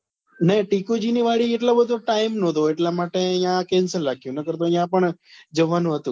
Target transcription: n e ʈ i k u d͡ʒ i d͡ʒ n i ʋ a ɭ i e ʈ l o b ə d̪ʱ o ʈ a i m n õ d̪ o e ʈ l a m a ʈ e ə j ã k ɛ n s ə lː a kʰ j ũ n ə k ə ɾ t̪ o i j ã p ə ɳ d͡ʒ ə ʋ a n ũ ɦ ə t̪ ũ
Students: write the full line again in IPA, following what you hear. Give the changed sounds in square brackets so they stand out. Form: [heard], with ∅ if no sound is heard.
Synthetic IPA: n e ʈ i k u d͡ʒ i [∅] n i ʋ a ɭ i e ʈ l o b ə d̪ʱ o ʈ a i m n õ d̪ o e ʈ l a m a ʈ e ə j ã k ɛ n s ə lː a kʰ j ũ n ə k ə ɾ t̪ o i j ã p ə ɳ d͡ʒ ə ʋ a n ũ ɦ ə t̪ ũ